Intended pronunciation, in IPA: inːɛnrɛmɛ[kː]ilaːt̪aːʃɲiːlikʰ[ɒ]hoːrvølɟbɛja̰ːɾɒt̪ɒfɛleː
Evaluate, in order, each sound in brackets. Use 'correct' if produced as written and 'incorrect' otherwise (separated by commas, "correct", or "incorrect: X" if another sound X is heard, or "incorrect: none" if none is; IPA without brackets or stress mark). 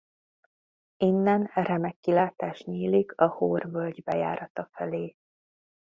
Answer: correct, correct